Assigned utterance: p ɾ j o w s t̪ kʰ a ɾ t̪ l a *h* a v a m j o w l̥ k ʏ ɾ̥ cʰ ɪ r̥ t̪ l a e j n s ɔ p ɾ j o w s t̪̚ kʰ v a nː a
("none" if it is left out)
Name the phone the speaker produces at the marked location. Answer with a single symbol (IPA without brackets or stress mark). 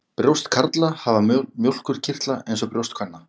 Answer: h